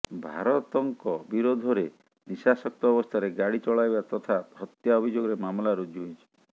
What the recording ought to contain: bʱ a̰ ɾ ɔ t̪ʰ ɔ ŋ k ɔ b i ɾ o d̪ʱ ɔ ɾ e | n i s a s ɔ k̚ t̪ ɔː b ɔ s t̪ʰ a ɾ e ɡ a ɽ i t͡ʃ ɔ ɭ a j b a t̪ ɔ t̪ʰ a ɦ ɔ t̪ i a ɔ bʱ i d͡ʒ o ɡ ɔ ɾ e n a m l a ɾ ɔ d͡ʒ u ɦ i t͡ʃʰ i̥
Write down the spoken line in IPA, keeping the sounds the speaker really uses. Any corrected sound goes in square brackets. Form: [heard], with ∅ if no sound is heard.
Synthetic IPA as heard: bʱ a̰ ɾ ɔ [t̪] ɔ ŋ k ɔ b i ɾ o d̪ʱ ɔ ɾ e | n i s a s ɔ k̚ t̪ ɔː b ɔ s t̪ʰ a ɾ e ɡ a ɽ i t͡ʃ ɔ ɭ a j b a t̪ ɔ t̪ʰ a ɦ ɔ t̪ [j] a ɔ bʱ i d͡ʒ o ɡ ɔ ɾ e [m] a m l a ɾ [u] d͡ʒ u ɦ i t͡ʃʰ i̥